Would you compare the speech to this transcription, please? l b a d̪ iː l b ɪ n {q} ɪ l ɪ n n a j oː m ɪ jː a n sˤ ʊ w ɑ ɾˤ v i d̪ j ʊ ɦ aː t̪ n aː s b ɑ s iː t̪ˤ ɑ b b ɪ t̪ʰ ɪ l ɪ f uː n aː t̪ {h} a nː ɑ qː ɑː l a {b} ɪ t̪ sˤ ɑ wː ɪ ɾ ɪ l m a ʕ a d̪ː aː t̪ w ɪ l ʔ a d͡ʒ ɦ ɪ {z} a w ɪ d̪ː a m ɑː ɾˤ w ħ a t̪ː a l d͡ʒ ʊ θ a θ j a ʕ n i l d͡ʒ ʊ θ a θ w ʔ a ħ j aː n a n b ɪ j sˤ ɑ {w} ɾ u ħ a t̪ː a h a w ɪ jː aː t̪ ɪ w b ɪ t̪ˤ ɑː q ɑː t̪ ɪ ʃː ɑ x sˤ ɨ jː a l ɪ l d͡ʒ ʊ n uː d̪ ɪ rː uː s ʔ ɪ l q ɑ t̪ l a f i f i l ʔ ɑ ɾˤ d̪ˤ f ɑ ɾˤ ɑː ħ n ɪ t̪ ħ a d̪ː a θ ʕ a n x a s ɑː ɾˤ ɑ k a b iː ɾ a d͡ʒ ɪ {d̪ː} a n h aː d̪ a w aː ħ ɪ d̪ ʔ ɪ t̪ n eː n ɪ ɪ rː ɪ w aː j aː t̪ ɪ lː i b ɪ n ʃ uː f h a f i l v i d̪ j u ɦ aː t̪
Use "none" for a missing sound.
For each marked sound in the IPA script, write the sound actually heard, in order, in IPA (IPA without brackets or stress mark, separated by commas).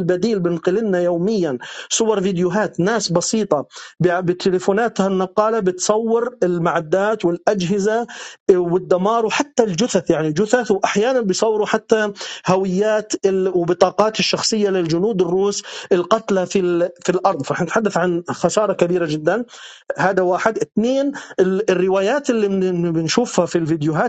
q, h, b, z, wː, d̪ː